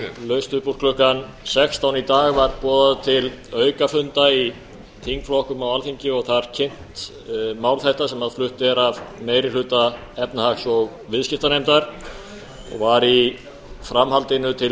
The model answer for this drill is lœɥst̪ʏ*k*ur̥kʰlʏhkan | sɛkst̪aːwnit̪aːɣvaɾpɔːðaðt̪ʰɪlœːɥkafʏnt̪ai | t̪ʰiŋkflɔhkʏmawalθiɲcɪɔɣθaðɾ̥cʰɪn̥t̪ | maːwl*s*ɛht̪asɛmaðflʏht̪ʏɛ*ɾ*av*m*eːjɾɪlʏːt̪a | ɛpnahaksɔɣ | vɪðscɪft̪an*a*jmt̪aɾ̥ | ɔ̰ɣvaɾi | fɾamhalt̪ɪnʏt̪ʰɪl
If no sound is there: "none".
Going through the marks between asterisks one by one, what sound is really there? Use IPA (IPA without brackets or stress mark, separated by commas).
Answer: p, θ, ɾ, m, e